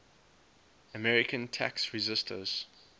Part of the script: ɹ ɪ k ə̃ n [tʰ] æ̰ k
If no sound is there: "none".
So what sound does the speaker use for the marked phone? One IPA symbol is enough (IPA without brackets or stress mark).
tʰ